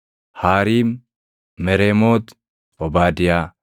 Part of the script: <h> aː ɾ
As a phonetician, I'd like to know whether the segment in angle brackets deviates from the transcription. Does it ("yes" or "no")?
no